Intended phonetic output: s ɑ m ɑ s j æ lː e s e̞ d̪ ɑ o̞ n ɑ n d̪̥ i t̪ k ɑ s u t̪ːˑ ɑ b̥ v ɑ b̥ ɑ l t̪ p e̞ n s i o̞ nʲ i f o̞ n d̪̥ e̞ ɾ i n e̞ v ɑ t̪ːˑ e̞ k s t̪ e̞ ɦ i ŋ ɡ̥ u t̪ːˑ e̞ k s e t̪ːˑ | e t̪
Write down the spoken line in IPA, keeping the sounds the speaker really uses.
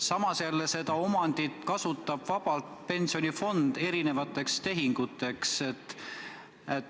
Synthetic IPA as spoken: s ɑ m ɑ s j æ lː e s e̞ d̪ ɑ o̞ m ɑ n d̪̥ i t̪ k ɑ s u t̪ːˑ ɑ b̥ v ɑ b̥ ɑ l t̪ p e̞ n s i o̞ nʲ i f o̞ n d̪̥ e̞ ɾ i n e̞ v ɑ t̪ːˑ e̞ k s t̪ e̞ ɦ i ŋ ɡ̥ u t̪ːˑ e̞ k s e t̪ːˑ | e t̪